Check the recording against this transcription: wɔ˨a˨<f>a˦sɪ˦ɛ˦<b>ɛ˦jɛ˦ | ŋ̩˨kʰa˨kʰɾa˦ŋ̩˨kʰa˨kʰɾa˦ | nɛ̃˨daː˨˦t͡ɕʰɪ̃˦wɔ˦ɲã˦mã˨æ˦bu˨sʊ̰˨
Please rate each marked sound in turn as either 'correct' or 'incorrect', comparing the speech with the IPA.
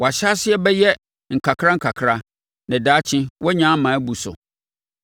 incorrect: ɕ, correct

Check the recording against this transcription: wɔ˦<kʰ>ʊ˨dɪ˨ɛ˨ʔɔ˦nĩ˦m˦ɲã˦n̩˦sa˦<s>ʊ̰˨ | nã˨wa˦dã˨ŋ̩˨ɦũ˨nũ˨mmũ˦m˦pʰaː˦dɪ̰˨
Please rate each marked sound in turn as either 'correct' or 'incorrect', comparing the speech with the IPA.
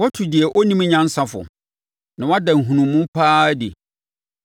incorrect: tʰ, incorrect: f

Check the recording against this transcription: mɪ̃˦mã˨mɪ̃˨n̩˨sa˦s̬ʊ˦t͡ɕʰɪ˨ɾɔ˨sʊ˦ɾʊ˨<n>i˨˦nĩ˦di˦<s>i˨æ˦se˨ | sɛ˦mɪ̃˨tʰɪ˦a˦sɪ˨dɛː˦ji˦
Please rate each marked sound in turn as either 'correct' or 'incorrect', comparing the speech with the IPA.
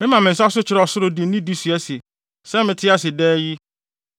incorrect: d, correct

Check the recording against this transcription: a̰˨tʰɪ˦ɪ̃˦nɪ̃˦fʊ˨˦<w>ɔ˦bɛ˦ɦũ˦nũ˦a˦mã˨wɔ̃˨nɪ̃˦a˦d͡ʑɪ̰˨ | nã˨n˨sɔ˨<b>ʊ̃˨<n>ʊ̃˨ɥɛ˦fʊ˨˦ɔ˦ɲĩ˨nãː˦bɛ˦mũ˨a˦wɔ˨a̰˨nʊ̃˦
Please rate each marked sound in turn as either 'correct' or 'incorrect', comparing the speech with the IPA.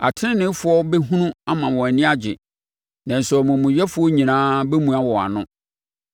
incorrect: none, incorrect: m, incorrect: m

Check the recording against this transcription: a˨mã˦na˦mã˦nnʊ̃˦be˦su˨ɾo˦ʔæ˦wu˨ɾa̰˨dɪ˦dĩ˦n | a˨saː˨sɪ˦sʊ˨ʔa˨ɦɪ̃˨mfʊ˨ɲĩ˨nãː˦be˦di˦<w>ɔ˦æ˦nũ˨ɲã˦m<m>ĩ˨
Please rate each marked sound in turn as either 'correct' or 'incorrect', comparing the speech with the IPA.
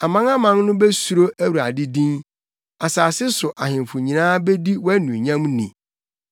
correct, incorrect: n

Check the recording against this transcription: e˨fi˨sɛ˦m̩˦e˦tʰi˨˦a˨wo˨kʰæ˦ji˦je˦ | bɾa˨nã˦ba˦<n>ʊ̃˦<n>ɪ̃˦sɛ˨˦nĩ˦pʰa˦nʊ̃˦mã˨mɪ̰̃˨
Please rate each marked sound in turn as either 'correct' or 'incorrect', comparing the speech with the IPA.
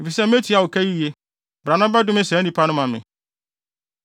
incorrect: d, incorrect: m

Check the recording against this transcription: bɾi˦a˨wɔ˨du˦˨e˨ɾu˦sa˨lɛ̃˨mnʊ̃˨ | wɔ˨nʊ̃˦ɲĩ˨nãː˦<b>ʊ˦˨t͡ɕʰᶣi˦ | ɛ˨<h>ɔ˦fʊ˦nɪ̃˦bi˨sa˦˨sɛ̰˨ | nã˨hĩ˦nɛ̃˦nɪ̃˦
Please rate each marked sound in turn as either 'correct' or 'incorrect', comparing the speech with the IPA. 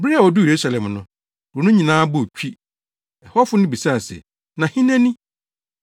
correct, correct

